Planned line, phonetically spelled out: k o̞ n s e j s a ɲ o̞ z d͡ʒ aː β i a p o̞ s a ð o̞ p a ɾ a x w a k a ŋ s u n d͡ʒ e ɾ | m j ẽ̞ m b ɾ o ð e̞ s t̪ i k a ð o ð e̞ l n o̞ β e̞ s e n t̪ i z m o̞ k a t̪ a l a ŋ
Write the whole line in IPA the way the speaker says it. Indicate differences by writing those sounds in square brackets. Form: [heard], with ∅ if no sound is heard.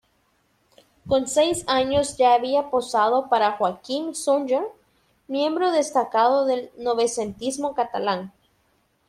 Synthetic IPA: k o̞ n s e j s a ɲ o̞ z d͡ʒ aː β i a p o̞ s a ð o̞ p a ɾ a x w a k [i] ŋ s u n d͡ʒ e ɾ | m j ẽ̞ m b ɾ o ð e̞ s t̪ [a] k a ð o ð e̞ l n o̞ β e̞ s e n t̪ i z m o̞ k a t̪ a l a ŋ